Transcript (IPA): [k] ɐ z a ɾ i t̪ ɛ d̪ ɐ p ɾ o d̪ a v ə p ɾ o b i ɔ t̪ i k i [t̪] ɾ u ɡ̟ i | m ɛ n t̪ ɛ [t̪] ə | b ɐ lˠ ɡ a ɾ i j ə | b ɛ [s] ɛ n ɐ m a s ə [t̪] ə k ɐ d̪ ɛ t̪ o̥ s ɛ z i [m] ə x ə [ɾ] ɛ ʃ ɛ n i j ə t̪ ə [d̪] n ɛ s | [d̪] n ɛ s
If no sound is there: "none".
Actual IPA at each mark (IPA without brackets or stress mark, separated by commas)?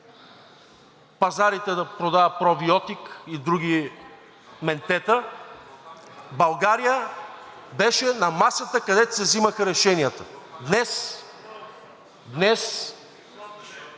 p, d̪, t̪, ʃ, t̪, m, ɾ, d̪, d̪